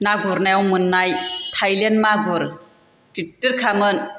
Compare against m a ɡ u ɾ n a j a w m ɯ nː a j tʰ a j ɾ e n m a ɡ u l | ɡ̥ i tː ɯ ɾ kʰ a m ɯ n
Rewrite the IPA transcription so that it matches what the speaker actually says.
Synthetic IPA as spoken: n a ɡ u ɾ n a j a w m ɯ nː a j tʰ a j l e n m a ɡ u ɾ | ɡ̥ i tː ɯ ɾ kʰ a m ɯ n